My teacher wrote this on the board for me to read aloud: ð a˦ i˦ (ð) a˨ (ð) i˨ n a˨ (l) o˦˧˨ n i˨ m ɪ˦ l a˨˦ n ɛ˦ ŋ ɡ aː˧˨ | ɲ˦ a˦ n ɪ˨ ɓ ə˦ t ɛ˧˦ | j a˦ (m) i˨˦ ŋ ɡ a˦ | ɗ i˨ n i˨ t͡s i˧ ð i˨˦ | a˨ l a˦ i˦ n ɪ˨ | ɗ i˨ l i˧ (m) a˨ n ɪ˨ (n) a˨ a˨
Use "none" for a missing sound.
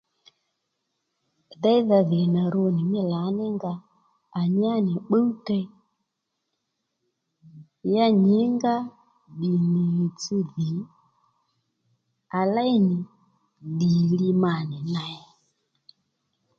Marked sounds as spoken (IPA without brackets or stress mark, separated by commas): ð, ð, ɾ, ɲ, m, n